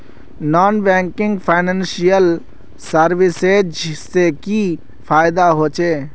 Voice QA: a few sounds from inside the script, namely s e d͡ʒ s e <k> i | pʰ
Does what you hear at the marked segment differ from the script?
no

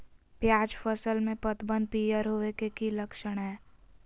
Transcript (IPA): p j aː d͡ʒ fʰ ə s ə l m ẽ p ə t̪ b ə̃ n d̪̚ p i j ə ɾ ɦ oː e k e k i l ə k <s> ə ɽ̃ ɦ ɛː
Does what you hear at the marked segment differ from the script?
yes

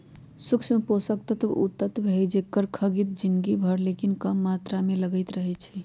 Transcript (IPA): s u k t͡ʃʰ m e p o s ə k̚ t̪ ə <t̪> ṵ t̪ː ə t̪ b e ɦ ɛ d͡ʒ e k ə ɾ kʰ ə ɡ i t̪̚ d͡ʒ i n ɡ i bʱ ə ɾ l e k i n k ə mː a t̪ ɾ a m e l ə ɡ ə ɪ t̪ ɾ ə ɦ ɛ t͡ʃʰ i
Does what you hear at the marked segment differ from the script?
no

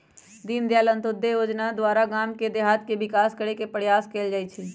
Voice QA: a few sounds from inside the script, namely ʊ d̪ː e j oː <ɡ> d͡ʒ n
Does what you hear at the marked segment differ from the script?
yes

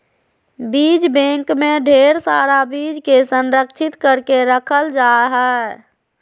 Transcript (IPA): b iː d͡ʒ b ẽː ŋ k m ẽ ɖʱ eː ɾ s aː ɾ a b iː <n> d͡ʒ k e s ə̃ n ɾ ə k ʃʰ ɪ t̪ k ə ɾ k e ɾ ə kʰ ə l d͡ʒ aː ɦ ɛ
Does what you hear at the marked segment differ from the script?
yes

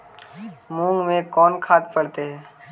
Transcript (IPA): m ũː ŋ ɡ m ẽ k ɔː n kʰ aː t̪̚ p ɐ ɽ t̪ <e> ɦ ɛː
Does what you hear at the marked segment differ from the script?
no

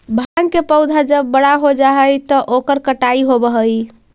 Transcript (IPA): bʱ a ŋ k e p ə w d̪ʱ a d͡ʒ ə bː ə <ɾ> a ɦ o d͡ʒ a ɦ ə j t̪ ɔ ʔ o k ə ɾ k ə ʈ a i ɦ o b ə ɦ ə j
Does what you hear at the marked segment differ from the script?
yes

